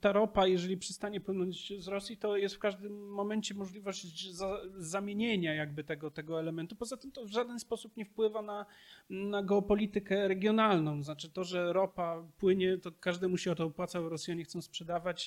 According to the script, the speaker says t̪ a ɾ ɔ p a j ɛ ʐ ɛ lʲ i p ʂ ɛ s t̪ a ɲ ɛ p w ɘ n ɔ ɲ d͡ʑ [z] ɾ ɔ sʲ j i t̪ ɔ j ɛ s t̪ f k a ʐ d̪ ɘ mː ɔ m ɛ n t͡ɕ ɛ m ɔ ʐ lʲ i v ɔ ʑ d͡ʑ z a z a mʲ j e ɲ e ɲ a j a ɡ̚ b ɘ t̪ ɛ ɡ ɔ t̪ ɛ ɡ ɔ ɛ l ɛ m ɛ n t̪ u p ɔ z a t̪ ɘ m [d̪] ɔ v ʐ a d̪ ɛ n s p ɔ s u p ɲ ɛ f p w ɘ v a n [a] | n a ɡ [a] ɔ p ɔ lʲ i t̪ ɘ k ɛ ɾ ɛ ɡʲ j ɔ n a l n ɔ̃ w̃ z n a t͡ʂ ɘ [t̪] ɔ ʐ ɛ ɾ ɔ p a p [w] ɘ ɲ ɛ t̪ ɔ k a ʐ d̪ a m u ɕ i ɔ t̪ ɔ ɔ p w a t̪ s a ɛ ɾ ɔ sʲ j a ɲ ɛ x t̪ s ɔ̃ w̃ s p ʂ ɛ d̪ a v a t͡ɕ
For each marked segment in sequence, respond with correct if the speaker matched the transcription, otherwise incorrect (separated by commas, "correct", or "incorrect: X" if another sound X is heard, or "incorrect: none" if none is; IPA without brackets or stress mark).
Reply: correct, incorrect: t̪, correct, incorrect: ɛ, correct, correct